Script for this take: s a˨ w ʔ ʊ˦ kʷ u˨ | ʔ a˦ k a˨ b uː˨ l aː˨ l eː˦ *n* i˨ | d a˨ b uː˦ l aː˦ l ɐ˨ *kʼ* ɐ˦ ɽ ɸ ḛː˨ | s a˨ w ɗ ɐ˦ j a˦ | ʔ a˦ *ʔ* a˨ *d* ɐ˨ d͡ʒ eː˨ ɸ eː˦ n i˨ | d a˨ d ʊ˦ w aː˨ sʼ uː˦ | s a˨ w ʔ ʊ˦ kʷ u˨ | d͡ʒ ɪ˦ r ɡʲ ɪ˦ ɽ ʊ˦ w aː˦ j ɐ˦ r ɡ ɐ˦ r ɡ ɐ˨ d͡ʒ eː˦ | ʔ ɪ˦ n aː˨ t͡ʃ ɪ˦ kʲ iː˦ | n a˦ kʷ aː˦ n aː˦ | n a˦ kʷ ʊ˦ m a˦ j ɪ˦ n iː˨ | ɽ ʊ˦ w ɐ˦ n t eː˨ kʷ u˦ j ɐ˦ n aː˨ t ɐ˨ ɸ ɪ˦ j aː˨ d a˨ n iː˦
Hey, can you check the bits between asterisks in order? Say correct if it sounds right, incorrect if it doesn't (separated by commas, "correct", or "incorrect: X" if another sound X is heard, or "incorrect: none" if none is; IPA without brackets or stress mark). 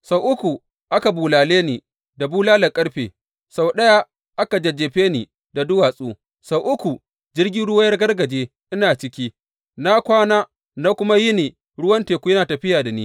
correct, correct, incorrect: k, incorrect: d͡ʒ